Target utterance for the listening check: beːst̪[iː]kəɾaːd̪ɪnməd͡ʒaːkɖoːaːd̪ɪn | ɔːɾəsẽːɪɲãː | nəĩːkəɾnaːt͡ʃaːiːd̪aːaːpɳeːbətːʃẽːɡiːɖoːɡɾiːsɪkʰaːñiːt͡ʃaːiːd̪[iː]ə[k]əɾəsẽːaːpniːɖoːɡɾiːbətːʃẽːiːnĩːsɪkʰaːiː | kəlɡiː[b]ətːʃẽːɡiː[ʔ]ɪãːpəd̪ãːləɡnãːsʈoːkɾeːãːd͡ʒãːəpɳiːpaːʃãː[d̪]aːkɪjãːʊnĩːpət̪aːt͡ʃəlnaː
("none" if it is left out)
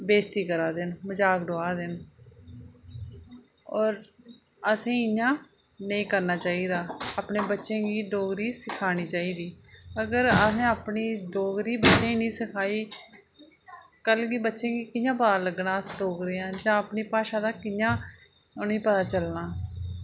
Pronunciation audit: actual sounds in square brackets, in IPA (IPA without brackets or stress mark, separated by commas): iː, iː, ɡ, b, k, d̪